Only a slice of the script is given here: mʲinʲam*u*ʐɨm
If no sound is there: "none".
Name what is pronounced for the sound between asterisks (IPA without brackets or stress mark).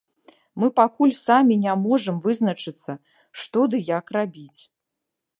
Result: ɔ